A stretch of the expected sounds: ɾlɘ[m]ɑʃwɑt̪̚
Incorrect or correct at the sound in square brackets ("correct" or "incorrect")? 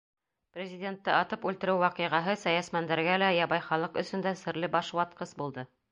incorrect